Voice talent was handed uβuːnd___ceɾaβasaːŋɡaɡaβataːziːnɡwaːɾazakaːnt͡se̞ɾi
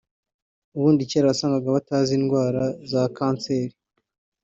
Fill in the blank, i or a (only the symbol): i